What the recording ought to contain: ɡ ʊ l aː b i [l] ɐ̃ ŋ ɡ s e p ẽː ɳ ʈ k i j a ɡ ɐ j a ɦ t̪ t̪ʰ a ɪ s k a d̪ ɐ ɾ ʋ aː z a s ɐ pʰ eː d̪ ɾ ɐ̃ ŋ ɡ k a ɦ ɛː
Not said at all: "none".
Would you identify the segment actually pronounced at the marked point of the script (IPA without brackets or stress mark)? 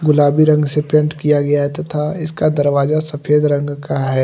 ɾ